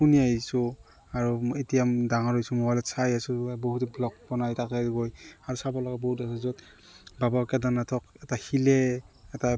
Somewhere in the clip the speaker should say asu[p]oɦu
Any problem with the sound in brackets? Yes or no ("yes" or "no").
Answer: yes